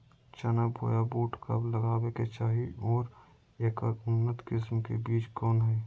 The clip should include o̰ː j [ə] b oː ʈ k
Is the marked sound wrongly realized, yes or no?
yes